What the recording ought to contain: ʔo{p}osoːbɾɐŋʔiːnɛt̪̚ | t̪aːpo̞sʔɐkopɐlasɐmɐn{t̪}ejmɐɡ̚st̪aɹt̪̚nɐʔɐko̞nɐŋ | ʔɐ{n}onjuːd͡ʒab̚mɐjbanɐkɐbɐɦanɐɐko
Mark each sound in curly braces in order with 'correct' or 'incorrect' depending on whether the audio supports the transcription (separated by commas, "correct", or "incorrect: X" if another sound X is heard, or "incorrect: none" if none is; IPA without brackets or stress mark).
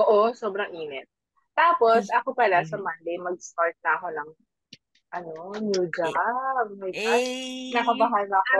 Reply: incorrect: ʔ, incorrect: d̪, correct